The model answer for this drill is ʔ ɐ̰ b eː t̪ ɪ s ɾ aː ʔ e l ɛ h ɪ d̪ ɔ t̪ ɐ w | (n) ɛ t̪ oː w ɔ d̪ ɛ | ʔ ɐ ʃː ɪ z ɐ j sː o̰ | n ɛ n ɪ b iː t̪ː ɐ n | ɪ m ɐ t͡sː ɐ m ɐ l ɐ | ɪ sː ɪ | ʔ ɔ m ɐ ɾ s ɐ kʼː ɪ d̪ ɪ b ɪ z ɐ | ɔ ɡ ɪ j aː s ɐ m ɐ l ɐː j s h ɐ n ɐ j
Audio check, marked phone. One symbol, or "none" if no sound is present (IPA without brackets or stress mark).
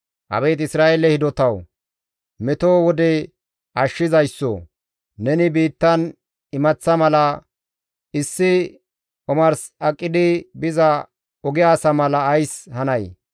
m